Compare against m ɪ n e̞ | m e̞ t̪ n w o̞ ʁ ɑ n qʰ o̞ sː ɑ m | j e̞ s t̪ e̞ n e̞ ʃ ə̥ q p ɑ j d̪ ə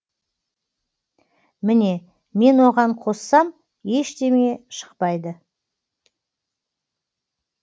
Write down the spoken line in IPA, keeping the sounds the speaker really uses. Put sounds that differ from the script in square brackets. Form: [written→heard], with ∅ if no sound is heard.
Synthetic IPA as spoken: m ɪ n e̞ | m e̞ [t̪→∅] n w o̞ ʁ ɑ [n→ɴ] qʰ o̞ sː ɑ m | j e̞ [s→ʃ] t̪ e̞ [n→m] e̞ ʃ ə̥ q p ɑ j d̪ ə

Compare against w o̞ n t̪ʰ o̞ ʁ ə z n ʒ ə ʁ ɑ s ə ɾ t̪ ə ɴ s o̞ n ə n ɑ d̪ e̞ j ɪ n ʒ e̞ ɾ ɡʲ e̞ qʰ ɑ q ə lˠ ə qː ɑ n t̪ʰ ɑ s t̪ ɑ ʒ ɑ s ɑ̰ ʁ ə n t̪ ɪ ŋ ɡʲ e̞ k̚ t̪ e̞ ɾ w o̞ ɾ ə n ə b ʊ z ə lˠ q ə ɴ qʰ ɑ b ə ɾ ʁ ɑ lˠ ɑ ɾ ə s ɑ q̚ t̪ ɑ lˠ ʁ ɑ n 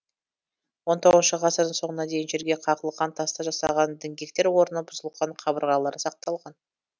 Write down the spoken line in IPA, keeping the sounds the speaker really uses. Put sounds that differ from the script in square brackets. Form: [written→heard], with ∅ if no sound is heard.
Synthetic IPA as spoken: w o̞ n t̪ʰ o̞ ʁ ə z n [ʒ→ʃ] ə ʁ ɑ s ə ɾ [t̪→d̪] ə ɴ s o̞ [n→ɴ] ə n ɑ d̪ e̞ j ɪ n ʒ e̞ ɾ ɡʲ e̞ qʰ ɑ q ə lˠ ə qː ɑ n t̪ʰ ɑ s t̪ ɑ ʒ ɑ s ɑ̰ ʁ [ə→ɑ] n [t̪→d̪] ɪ ŋ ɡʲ e̞ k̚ t̪ e̞ ɾ w o̞ ɾ ə n ə b ʊ z ə lˠ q [ə→ɑ] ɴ qʰ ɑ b ə ɾ ʁ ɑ lˠ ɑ ɾ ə s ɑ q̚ t̪ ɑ lˠ ʁ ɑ n

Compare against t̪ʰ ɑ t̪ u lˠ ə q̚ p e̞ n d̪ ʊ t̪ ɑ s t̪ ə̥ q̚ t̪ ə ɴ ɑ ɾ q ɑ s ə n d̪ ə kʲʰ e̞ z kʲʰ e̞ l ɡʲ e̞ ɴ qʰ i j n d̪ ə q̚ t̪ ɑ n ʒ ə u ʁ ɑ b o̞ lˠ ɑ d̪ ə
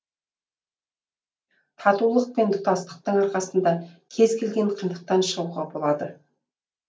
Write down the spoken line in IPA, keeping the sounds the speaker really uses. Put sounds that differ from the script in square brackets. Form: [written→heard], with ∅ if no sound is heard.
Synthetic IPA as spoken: t̪ʰ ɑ t̪ u lˠ ə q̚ p e̞ n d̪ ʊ t̪ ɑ s t̪ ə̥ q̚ t̪ ə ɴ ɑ ɾ q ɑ s ə n d̪ [ə→ɑ] kʲʰ e̞ z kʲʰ e̞ l ɡʲ e̞ ɴ qʰ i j n d̪ ə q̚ t̪ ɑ n [ʒ→ʃ] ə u ʁ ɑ b o̞ lˠ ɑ d̪ ə

